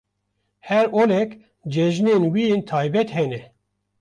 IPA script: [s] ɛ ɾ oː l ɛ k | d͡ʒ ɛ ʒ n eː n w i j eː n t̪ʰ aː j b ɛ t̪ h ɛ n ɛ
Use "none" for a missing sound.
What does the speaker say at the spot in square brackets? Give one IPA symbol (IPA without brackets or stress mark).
h